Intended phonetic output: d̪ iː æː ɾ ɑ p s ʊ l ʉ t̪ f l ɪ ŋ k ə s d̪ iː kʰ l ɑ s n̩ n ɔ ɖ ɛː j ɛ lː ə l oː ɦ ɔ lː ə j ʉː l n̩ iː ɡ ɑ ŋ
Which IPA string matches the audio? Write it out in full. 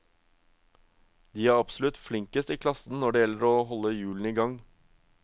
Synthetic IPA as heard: d̪ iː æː ɾ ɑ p s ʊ l ʉ t̪ f l ɪ ŋ k ə s t̪ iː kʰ l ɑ s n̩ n ɔ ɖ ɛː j ɛ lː ə ɾ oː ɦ ɔ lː ə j ʉː l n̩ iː ɡ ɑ ŋ